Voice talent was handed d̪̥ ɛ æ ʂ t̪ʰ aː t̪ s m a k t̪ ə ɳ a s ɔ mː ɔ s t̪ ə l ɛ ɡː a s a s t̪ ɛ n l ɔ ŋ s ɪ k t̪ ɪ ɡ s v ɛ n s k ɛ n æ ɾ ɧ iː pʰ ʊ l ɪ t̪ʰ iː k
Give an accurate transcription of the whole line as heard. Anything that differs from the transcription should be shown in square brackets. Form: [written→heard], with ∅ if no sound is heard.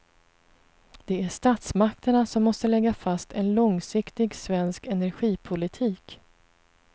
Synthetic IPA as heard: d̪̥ ɛ æ ʂ [t̪ʰ→t̪] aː t̪ s m a k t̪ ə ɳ a s ɔ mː ɔ s t̪ ə l ɛ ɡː a [s→f] a s t̪ ɛ n l ɔ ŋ s ɪ k t̪ ɪ ɡ s v ɛ n s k ɛ n æ ɾ ɧ iː pʰ ʊ l ɪ t̪ʰ iː k